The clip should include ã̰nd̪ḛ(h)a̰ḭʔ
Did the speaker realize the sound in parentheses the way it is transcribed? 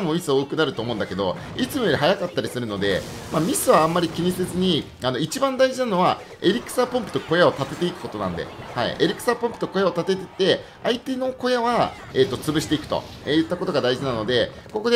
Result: yes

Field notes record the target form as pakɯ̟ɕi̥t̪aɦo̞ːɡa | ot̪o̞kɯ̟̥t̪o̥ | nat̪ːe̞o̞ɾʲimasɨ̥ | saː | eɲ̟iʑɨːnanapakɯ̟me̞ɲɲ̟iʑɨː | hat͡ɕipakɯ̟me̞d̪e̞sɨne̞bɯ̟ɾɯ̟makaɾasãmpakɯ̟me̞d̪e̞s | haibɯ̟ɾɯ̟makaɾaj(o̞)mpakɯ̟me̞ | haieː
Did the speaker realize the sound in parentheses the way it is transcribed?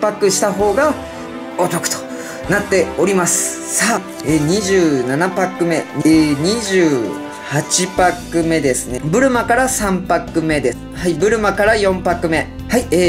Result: no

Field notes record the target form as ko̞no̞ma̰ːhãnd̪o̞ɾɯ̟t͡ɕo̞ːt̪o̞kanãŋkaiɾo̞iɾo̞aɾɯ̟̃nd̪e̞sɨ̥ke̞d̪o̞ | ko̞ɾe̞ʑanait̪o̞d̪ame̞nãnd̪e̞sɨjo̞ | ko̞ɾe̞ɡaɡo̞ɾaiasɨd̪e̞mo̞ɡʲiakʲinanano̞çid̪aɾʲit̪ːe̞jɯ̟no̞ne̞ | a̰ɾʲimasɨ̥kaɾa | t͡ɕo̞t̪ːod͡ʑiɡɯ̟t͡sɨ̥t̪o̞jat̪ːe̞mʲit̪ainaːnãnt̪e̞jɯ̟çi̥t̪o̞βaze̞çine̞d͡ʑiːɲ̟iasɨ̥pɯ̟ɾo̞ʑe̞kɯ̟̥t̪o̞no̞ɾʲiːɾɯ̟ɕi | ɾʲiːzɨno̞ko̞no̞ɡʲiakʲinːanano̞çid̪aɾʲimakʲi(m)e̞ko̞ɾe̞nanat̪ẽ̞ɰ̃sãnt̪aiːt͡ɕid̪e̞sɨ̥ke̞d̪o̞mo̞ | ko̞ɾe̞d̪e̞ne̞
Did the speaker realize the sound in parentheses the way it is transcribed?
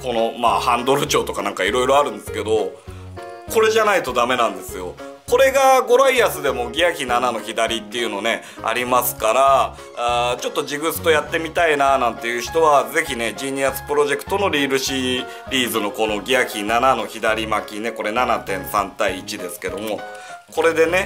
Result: no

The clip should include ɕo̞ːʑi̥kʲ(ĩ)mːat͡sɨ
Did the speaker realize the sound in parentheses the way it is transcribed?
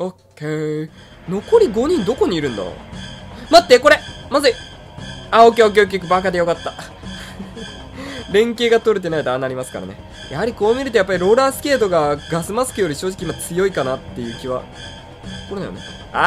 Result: no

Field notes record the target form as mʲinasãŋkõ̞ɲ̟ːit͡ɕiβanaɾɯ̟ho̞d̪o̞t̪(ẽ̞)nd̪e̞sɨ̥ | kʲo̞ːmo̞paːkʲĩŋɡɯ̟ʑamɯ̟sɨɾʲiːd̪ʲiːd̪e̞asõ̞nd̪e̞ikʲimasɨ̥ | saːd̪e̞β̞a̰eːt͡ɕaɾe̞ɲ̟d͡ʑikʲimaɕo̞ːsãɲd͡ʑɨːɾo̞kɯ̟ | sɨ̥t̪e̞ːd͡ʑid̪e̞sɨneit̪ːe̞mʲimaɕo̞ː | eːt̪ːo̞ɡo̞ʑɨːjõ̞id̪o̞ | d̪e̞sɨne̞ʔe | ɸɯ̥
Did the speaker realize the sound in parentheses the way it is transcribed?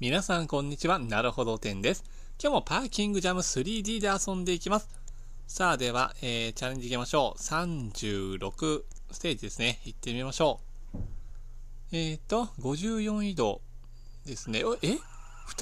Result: yes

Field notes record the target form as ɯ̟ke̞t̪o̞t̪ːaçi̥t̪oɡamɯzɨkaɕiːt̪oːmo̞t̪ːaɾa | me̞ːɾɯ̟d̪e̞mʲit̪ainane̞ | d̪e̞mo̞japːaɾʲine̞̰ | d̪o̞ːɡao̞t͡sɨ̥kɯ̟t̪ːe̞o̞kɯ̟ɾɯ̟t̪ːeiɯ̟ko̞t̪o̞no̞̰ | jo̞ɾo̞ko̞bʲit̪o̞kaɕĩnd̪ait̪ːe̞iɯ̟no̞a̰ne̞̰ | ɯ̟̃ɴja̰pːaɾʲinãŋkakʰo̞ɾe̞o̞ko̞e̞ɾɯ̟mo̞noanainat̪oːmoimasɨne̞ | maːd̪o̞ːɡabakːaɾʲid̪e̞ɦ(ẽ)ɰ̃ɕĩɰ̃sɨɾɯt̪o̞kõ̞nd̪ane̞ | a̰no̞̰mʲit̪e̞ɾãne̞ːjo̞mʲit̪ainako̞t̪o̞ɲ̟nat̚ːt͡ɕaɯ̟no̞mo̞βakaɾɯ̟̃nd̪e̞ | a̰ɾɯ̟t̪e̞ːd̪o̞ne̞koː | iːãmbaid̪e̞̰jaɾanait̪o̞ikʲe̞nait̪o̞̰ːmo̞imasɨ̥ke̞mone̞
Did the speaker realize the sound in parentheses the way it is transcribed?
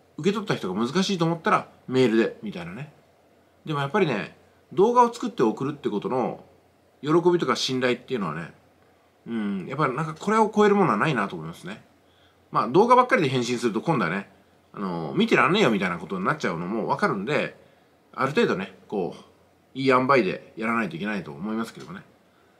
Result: yes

